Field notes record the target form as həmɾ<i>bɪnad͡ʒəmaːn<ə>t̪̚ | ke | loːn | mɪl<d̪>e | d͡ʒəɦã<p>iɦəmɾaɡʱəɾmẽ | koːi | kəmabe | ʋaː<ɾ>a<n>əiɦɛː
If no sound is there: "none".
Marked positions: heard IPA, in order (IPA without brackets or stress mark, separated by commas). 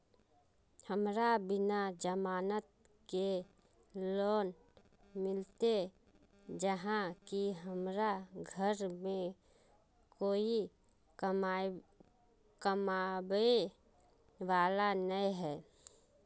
a, ə, t̪, k, l, n